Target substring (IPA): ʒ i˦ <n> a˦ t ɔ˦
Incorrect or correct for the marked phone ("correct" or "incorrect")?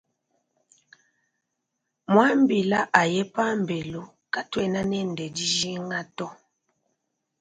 incorrect